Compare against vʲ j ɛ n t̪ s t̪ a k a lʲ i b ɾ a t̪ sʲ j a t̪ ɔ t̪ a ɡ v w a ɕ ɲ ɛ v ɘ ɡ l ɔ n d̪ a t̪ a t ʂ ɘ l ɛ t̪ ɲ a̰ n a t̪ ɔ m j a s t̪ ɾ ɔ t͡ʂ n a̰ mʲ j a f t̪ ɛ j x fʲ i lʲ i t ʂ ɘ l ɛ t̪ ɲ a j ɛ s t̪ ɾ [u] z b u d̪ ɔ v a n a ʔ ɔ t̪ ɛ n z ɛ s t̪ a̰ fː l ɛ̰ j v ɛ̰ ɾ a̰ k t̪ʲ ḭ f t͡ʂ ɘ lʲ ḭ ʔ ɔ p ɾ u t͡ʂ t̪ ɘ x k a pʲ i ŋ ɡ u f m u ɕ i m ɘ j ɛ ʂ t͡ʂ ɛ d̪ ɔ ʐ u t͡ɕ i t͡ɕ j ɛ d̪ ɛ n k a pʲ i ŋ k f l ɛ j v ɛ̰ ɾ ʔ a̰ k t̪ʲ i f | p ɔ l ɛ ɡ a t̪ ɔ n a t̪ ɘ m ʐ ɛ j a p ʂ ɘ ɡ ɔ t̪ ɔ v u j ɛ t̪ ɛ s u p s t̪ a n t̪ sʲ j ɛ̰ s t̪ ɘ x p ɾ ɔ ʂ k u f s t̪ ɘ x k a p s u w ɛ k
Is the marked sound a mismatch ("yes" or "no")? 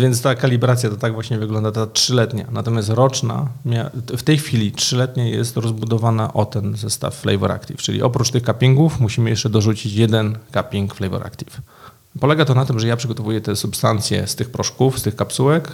yes